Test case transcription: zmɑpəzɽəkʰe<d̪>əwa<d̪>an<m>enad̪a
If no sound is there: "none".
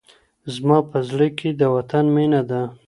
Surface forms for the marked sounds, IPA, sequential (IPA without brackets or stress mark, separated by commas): d̪, t̪, m